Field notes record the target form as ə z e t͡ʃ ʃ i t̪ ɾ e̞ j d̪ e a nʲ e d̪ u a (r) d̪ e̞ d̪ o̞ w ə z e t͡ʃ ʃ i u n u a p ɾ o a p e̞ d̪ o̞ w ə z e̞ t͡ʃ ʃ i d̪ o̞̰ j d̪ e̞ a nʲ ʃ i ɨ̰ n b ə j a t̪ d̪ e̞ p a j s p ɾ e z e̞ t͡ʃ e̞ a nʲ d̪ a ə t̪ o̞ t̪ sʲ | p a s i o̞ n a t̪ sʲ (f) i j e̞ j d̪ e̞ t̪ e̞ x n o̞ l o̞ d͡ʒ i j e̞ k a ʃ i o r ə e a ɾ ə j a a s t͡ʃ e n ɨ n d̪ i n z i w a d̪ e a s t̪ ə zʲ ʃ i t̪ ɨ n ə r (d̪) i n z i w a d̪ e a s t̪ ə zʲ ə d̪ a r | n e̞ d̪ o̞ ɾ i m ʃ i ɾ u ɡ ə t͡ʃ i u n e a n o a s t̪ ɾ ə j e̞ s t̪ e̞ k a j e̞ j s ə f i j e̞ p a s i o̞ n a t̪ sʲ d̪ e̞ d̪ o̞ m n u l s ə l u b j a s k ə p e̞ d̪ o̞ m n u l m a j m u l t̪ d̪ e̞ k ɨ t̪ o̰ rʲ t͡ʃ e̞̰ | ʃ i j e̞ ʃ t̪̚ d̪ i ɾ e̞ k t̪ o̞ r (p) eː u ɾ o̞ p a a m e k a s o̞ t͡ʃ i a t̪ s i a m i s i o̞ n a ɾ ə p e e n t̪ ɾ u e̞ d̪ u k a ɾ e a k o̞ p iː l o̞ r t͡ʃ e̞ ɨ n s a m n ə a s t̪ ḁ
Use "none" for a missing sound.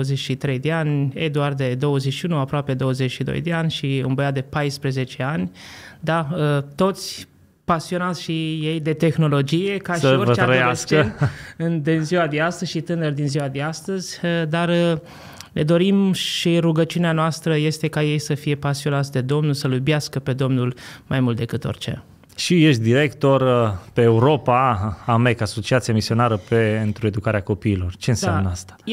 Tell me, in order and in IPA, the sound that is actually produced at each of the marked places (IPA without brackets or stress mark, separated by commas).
r, ʃ, d̪, p